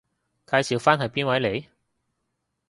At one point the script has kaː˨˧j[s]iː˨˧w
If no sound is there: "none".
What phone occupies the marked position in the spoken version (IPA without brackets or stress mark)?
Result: s